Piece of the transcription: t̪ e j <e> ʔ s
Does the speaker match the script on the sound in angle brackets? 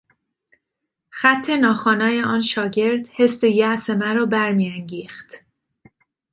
no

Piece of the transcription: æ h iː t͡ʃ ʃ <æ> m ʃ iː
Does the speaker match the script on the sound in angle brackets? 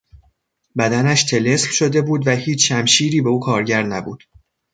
yes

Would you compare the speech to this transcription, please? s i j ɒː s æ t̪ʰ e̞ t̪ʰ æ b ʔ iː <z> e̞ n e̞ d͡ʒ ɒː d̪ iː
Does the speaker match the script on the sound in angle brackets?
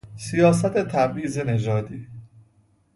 yes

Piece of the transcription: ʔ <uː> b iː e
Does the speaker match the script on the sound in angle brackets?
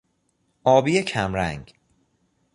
no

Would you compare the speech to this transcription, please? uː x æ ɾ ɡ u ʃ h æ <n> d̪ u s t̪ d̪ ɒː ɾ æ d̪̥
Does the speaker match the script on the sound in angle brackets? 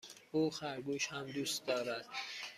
no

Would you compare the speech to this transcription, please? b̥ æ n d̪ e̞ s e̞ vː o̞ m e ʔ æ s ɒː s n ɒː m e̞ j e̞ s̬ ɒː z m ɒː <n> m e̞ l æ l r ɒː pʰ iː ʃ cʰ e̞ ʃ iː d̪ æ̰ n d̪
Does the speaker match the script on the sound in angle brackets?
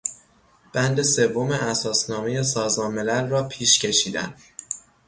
yes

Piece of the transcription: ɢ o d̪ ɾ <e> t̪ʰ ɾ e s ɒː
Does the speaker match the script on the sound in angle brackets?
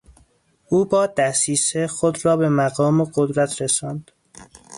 no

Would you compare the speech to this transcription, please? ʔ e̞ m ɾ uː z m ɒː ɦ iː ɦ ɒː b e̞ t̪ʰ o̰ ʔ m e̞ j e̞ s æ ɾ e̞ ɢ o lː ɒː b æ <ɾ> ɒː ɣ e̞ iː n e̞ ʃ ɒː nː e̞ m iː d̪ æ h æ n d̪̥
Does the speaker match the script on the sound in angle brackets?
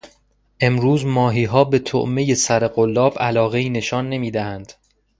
no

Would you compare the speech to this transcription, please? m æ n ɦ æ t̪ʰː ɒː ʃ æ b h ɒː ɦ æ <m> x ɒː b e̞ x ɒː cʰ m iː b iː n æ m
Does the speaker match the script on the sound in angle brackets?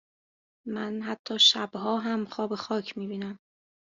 yes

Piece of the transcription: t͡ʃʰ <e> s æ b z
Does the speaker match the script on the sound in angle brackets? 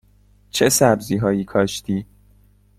yes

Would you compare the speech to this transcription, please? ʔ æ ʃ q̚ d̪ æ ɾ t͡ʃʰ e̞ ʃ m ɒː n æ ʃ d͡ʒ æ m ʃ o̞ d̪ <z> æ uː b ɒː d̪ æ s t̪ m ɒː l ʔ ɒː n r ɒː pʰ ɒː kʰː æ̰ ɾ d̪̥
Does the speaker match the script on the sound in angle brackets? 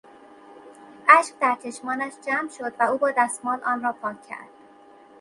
no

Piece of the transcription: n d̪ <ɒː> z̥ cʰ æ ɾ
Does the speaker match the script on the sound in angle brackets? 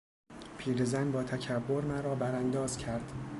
yes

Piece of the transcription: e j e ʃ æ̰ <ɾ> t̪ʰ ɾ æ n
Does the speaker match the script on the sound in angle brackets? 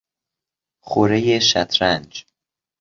no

